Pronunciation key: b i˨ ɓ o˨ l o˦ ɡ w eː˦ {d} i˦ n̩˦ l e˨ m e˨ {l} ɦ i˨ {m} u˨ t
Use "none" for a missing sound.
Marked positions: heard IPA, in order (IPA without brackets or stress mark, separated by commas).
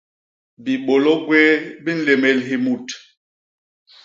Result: b, l, m